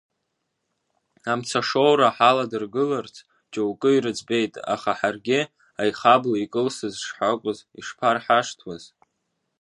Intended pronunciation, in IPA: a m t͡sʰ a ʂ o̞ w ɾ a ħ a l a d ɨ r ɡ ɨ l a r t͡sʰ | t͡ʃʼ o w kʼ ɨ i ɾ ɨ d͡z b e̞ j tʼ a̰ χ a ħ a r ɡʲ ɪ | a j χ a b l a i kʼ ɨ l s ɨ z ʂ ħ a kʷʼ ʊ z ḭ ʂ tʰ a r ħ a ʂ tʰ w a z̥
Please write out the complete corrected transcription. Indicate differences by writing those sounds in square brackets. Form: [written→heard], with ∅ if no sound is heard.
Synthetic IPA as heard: a m t͡sʰ a ʂ o̞ w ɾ a ħ a l a d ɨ r ɡ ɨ l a r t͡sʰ | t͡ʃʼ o w kʼ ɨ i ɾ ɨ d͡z b e̞ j tʼ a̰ χ a ħ a r ɡʲ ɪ | a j χ a b l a i kʼ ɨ l s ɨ z ʂ ħ a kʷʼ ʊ z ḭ ʂ [tʰ→pʰ] a r ħ a ʂ tʰ w a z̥